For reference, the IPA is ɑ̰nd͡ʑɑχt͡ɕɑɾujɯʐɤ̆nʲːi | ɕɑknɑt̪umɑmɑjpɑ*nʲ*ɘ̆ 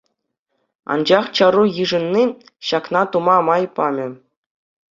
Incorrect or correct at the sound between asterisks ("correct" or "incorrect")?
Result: incorrect